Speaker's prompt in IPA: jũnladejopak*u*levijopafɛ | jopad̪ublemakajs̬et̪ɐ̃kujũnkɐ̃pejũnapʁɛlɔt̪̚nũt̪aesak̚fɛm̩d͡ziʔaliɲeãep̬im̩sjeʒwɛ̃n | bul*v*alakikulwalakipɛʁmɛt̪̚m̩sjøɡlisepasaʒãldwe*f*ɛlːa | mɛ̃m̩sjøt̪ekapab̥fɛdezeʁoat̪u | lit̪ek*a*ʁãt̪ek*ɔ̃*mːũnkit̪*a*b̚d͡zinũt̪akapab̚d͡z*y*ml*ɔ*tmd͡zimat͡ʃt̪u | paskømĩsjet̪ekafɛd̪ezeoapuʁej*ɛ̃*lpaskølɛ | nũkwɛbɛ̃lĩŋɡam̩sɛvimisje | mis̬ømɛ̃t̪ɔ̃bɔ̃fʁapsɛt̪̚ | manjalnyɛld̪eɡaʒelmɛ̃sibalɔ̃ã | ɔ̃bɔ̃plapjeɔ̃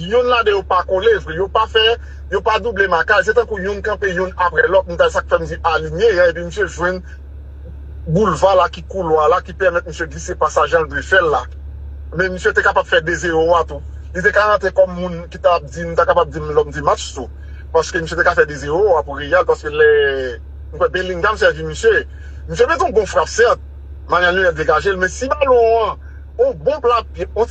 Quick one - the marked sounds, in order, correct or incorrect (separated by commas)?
incorrect, correct, correct, correct, incorrect, correct, incorrect, correct, incorrect